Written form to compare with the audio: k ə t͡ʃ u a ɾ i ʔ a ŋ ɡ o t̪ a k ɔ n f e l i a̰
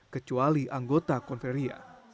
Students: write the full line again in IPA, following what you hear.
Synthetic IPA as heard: k ə t͡ʃ u a l i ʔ a ŋ ɡ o t̪ a k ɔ n f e ɾ i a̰